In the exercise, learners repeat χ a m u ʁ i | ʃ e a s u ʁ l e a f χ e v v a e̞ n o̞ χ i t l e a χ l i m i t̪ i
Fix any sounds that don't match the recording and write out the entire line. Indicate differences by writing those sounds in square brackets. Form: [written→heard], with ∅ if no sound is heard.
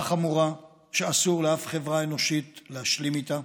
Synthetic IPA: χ a m u ʁ [i→a] | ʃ e a s u ʁ l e a f χ e v [v→ʁ] a e̞ n o̞ [χ→ʃ] i t l e a [χ→ʃ] l i m i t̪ [i→a]